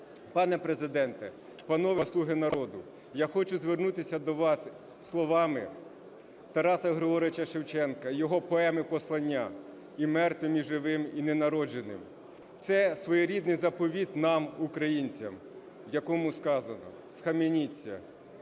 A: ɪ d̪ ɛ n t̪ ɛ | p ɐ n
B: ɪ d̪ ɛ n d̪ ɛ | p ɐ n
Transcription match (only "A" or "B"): A